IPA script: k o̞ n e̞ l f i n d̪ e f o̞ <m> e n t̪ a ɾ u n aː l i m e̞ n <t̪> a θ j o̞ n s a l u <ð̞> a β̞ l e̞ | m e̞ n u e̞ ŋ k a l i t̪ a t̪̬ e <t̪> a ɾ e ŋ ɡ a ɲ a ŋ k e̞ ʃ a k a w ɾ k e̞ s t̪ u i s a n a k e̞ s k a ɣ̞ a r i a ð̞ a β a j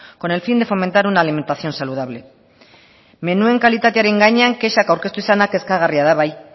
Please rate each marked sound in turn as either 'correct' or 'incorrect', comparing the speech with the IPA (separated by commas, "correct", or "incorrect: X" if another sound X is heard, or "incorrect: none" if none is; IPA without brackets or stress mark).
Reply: correct, correct, correct, incorrect: none